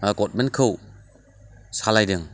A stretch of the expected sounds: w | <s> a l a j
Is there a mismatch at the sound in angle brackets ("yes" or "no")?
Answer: no